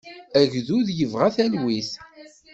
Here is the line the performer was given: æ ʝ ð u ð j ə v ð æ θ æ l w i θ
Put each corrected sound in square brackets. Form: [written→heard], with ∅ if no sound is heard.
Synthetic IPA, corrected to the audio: æ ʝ ð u ð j ə v [ð→ʁ] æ θ æ l w i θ